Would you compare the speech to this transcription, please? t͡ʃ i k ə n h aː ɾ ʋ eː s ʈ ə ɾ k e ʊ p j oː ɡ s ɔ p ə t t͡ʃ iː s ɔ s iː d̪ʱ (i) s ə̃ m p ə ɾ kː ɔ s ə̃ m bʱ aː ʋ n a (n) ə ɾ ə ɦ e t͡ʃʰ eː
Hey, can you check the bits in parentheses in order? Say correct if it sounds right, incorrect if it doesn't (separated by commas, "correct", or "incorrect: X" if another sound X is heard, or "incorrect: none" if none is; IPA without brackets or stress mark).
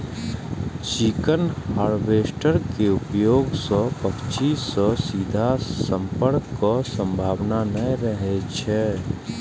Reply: incorrect: a, correct